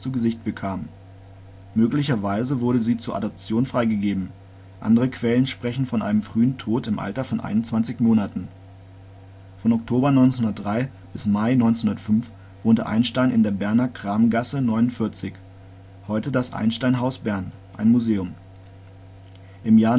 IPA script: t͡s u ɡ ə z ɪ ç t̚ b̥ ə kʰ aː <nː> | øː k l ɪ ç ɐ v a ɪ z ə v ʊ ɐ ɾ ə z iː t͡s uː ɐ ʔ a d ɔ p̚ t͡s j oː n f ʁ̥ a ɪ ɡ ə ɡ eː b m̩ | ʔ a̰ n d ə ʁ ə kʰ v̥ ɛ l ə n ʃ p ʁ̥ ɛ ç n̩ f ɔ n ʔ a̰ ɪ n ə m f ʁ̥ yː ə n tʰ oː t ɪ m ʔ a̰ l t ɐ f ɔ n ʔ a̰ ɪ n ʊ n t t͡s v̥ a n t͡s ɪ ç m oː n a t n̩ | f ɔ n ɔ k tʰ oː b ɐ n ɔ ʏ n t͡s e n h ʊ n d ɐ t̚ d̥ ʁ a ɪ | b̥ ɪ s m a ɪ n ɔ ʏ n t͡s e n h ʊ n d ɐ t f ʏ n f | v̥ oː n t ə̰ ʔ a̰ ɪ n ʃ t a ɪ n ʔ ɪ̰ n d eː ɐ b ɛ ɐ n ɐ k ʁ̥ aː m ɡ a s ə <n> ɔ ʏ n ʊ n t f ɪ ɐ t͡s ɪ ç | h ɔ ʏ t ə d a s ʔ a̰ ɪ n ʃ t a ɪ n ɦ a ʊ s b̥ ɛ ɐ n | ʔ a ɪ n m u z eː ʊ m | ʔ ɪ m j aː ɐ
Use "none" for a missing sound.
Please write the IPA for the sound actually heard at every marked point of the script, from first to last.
mː, n

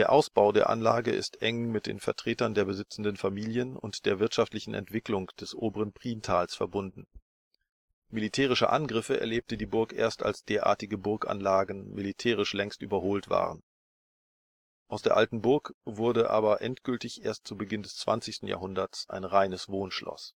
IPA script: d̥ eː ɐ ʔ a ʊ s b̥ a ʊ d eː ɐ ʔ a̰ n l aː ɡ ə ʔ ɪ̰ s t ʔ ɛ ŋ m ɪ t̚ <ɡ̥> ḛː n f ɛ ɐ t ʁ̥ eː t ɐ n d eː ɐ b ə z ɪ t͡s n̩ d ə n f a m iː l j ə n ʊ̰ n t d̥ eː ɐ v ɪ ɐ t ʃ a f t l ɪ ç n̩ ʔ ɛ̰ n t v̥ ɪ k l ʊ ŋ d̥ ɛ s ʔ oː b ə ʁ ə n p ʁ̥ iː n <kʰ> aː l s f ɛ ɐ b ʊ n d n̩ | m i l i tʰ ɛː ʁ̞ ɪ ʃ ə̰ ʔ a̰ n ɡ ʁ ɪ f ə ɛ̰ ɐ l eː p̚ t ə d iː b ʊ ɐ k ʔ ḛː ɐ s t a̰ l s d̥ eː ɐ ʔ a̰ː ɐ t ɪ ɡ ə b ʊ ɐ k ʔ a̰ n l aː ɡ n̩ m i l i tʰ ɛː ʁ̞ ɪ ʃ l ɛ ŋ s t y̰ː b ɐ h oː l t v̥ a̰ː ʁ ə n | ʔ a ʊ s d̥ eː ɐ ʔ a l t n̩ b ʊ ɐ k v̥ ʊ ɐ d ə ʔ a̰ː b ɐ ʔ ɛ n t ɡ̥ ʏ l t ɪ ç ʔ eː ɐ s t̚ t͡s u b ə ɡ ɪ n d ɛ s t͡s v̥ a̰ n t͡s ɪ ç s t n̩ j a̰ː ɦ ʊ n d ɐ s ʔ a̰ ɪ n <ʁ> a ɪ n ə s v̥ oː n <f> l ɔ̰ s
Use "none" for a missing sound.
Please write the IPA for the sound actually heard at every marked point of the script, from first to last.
d̥, tʰ, ʁ, ʃ

